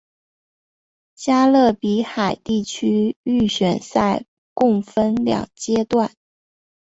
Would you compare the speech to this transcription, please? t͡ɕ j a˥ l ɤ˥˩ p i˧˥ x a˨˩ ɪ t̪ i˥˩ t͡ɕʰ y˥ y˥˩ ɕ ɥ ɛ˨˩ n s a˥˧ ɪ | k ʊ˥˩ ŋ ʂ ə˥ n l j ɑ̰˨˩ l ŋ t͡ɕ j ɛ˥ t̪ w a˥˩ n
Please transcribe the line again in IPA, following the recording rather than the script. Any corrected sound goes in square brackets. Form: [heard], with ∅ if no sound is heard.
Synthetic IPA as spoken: t͡ɕ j a˥ l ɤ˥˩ p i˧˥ x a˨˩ ɪ t̪ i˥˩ t͡ɕʰ y˥ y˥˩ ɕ ɥ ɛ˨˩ n s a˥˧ ɪ | k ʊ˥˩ ŋ [f] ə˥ n l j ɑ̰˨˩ [∅] ŋ t͡ɕ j ɛ˥ t̪ w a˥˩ n

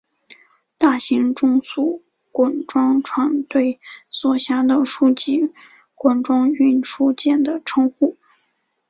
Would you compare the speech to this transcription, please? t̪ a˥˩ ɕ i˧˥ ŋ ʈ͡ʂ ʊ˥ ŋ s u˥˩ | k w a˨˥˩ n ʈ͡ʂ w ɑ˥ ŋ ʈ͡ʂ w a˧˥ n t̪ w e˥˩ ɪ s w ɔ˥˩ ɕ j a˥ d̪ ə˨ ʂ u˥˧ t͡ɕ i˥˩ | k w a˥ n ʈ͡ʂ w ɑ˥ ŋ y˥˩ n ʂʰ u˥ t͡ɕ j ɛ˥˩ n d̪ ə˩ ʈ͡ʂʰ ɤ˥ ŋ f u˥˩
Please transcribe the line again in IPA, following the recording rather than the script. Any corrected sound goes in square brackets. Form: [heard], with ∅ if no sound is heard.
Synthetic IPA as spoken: t̪ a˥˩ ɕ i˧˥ ŋ ʈ͡ʂ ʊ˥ ŋ s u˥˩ | k w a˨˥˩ n ʈ͡ʂ w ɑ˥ ŋ [ʈ͡ʂʰ] w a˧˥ n t̪ w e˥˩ ɪ s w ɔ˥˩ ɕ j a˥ d̪ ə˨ ʂ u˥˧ t͡ɕ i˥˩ | k w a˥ n ʈ͡ʂ w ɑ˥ ŋ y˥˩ n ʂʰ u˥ t͡ɕ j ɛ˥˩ n d̪ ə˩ ʈ͡ʂʰ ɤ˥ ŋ [x] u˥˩

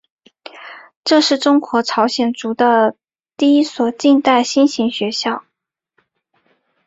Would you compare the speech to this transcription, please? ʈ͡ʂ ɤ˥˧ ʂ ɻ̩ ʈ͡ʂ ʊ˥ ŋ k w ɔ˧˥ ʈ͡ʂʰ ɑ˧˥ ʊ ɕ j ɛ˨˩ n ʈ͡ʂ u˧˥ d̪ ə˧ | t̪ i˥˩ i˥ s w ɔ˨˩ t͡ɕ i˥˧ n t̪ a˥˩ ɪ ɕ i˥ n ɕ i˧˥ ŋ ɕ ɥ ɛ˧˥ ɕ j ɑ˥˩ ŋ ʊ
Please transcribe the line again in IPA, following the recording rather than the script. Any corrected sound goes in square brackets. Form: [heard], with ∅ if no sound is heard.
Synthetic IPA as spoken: ʈ͡ʂ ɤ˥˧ ʂ ɻ̩ ʈ͡ʂ ʊ˥ ŋ k w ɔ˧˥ ʈ͡ʂʰ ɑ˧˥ ʊ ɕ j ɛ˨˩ n ʈ͡ʂ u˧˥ d̪ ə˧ | t̪ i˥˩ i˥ s w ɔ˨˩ t͡ɕ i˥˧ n t̪ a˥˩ ɪ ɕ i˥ n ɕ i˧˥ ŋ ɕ ɥ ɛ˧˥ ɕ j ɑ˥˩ [∅] ʊ

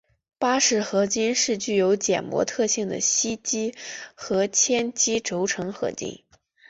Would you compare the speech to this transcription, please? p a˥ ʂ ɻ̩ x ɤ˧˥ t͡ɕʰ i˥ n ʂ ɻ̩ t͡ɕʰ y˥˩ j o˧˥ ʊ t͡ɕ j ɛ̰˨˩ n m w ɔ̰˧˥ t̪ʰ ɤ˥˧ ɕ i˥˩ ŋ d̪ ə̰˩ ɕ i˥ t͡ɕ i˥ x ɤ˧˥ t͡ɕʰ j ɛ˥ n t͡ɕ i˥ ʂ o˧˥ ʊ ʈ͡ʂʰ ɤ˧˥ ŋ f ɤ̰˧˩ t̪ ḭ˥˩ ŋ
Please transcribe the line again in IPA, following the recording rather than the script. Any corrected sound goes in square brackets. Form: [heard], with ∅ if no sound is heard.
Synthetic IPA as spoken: p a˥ ʂ ɻ̩ x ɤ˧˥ [t͡ɕ] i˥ n ʂ ɻ̩ [t͡ɕ] y˥˩ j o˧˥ ʊ t͡ɕ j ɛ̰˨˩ n m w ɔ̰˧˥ t̪ʰ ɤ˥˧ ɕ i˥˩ ŋ d̪ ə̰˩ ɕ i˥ t͡ɕ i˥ x ɤ˧˥ t͡ɕʰ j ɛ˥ n t͡ɕ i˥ [ʈ͡ʂ] o˧˥ ʊ ʈ͡ʂʰ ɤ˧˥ ŋ [x] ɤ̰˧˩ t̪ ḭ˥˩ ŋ

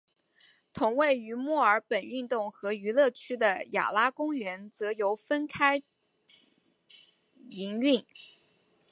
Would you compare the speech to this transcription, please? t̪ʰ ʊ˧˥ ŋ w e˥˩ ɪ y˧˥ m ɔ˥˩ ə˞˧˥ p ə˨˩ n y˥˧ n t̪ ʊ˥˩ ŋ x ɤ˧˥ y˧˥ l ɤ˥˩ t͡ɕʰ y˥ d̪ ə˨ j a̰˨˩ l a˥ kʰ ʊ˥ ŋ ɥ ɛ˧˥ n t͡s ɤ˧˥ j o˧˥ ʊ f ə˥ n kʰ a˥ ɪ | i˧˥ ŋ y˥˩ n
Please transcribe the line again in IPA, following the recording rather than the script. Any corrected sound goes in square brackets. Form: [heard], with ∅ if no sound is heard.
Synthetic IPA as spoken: t̪ʰ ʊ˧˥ ŋ w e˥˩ ɪ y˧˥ m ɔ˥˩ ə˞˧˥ p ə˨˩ n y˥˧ n t̪ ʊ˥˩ ŋ x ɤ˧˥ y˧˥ l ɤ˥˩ t͡ɕʰ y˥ d̪ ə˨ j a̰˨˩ l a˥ [k] ʊ˥ ŋ ɥ ɛ˧˥ n t͡s ɤ˧˥ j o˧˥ ʊ f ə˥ n kʰ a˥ ɪ | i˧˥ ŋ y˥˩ n

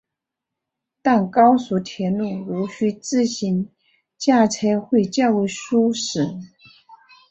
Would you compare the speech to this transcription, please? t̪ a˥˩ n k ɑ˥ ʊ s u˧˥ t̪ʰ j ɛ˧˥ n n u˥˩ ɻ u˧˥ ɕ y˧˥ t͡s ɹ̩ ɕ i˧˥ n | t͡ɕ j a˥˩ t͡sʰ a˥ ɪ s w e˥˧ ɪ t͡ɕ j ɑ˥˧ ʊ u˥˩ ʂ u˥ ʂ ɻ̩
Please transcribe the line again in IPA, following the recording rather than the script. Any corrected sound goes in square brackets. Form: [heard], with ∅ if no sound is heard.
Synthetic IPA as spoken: t̪ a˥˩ n k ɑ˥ ʊ s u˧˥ t̪ʰ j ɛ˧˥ n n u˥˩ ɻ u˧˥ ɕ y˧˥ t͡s ɹ̩ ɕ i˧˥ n | t͡ɕ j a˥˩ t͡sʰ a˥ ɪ [x] w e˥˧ ɪ t͡ɕ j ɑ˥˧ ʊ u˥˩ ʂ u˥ ʂ ɻ̩

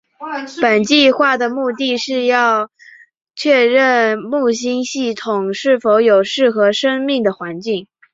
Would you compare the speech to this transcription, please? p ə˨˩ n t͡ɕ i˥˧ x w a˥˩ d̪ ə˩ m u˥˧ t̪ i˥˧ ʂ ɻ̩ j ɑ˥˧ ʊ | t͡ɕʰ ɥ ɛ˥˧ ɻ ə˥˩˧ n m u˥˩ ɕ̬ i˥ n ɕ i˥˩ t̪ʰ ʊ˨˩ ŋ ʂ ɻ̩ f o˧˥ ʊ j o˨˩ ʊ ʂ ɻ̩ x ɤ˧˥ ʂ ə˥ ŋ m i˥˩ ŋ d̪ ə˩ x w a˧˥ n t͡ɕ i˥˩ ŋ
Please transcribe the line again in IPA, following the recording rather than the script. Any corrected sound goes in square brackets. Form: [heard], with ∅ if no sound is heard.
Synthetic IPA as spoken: p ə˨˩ n t͡ɕ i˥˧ x w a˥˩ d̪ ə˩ m u˥˧ t̪ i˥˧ ʂ ɻ̩ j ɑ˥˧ ʊ | t͡ɕʰ ɥ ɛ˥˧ ɻ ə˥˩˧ n m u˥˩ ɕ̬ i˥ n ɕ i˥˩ t̪ʰ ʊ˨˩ ŋ ʂ ɻ̩ f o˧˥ ʊ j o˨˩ ʊ ʂ ɻ̩ x ɤ˧˥ ʂ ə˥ ŋ m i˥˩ ŋ d̪ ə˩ x w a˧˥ n t͡ɕ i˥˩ ŋ

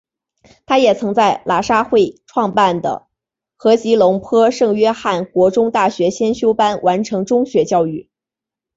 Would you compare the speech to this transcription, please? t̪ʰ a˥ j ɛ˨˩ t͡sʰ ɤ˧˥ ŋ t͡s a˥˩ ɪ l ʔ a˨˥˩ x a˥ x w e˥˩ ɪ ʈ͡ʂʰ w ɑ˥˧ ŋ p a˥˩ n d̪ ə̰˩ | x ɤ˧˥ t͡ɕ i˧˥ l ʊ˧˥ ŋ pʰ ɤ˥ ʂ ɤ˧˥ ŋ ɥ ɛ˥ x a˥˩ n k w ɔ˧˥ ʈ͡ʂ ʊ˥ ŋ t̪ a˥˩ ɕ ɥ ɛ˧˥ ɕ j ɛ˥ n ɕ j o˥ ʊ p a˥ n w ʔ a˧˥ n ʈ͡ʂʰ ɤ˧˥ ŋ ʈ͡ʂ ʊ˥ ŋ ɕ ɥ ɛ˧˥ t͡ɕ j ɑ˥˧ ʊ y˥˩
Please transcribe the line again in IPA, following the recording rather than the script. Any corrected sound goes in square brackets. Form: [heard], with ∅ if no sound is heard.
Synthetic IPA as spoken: t̪ʰ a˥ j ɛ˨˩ t͡sʰ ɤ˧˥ ŋ t͡s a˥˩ ɪ l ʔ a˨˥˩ [ʂ] a˥ x w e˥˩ ɪ ʈ͡ʂʰ w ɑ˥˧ ŋ p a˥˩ n d̪ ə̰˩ | x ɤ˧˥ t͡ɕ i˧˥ l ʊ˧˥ ŋ pʰ ɤ˥ ʂ [ɤ˥˩] ŋ ɥ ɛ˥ x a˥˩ n k w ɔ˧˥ ʈ͡ʂ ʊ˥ ŋ t̪ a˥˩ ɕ ɥ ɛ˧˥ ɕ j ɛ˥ n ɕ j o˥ ʊ p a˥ n w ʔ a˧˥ n ʈ͡ʂʰ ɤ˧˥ ŋ ʈ͡ʂ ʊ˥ ŋ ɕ ɥ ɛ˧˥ t͡ɕ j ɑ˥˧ ʊ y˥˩

